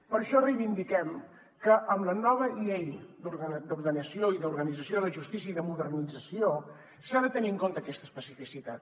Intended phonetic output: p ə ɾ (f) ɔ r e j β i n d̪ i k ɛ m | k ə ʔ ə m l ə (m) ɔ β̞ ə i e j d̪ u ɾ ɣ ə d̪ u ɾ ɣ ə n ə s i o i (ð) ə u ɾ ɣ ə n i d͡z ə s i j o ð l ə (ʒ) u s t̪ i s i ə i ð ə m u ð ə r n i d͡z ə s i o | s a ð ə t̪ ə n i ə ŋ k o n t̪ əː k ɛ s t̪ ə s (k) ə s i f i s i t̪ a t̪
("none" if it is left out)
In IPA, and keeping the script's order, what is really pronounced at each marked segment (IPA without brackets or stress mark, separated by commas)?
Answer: ʃ, n, ð, ʒ, p